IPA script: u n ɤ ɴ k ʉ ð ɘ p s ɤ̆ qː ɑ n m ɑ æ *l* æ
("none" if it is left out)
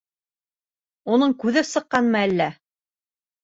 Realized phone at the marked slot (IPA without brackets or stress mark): lː